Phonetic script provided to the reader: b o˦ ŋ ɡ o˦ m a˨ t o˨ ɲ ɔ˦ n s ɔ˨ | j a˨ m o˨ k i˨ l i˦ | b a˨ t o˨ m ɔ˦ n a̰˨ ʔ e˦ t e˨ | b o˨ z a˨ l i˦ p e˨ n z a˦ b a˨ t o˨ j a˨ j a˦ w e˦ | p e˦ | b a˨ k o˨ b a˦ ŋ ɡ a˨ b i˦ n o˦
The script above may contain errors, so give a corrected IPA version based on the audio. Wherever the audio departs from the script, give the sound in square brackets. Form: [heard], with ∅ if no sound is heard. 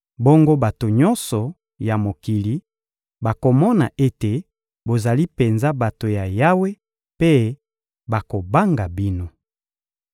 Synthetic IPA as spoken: b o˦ ŋ ɡ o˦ [b] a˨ t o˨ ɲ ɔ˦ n s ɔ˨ | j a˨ m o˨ k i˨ l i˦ | b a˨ [k] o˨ m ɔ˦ n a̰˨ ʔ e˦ t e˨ | b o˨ z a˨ l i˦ p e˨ n z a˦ b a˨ t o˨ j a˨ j a˦ w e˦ | p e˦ | b a˨ k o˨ b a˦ ŋ ɡ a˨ b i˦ n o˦